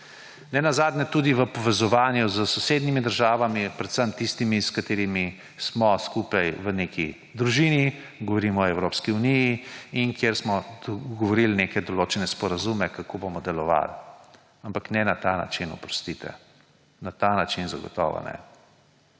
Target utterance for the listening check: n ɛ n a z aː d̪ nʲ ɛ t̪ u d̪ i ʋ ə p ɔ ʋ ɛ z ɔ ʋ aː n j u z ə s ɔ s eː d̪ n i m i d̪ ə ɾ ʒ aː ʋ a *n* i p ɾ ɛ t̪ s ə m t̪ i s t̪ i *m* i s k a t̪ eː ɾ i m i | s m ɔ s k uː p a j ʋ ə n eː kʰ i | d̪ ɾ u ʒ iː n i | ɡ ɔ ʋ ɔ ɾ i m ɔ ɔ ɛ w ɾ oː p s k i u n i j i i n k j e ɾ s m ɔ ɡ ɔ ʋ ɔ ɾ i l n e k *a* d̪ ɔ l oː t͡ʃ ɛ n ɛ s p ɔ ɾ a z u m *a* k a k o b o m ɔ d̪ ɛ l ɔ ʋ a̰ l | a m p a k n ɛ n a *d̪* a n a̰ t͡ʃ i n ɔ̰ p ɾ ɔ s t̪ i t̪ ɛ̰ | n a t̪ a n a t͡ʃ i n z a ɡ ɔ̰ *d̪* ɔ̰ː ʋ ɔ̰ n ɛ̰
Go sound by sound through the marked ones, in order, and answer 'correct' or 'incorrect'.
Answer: incorrect: m, correct, incorrect: ɛ, incorrect: ɛ, incorrect: t̪, incorrect: t̪

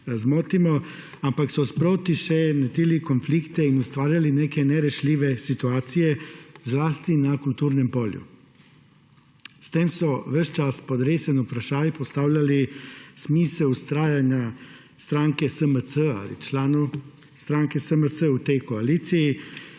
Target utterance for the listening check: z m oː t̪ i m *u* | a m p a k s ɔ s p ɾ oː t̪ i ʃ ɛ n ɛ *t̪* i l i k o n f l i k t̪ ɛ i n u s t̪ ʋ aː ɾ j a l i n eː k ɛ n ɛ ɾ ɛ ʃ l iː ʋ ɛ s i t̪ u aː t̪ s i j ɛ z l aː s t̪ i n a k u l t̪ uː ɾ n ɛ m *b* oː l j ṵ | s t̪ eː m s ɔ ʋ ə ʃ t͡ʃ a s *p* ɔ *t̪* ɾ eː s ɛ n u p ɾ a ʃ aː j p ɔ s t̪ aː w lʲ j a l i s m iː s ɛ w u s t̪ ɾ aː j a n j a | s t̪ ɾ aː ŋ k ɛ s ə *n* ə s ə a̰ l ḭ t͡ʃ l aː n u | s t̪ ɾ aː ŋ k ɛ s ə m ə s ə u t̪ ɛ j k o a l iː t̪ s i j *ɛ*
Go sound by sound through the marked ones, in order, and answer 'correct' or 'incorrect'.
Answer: incorrect: ɔ, correct, incorrect: p, correct, incorrect: d̪, incorrect: m, incorrect: i

